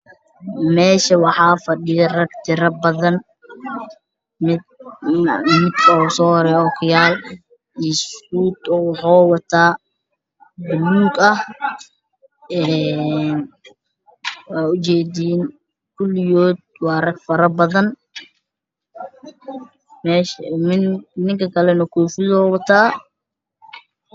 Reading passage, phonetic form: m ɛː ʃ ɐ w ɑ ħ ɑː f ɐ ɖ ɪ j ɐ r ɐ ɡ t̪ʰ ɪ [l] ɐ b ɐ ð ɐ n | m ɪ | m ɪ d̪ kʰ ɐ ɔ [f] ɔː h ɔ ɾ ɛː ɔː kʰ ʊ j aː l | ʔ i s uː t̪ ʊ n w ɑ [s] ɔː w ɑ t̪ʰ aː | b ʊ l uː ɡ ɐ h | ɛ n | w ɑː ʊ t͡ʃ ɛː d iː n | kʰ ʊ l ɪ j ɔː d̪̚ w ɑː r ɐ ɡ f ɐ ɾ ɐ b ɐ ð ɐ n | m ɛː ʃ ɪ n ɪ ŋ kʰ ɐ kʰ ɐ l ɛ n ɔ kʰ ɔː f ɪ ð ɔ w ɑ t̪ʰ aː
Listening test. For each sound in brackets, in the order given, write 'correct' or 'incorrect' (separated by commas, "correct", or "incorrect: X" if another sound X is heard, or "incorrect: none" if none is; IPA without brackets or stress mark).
incorrect: ɾ, incorrect: s, incorrect: ħ